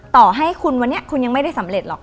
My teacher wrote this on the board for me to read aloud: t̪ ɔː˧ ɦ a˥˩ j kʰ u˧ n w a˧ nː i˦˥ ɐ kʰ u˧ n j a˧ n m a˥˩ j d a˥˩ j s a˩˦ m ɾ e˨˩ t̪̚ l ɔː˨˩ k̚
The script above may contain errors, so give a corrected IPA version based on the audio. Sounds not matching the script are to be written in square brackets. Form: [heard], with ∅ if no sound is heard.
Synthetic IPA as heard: t̪ [ɔː˨˩] ɦ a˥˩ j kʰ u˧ n w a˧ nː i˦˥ ɐ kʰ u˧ n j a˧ [ŋ] m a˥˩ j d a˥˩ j s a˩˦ m ɾ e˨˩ t̪̚ l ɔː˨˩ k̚